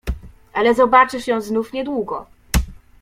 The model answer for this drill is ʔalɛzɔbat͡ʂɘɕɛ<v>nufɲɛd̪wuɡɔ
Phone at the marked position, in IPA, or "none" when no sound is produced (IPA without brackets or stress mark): z